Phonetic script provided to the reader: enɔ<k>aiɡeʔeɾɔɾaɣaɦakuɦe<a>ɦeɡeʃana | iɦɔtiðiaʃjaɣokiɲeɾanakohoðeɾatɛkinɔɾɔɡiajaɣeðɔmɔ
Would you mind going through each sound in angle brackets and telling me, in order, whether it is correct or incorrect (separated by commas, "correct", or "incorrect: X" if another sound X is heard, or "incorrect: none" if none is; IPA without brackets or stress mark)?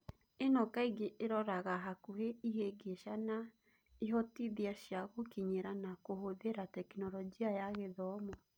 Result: correct, incorrect: i